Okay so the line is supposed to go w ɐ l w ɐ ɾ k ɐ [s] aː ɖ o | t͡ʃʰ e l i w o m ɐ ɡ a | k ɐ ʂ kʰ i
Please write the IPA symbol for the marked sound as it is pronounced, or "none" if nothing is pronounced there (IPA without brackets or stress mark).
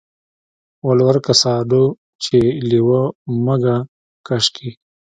s